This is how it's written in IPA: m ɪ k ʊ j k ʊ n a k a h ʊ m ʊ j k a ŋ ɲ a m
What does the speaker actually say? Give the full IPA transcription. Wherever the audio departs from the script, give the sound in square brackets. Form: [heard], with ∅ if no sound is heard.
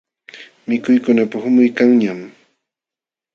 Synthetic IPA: m ɪ k ʊ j k ʊ n a [p] a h ʊ m ʊ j k a ŋ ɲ a m